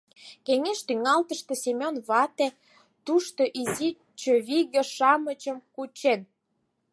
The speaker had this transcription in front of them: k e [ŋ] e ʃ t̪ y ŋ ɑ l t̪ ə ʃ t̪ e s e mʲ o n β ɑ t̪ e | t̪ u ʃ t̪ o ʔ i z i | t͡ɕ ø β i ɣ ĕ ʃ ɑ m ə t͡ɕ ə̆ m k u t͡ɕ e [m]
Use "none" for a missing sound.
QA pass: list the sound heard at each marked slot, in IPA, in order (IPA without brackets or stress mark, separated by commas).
ŋ, n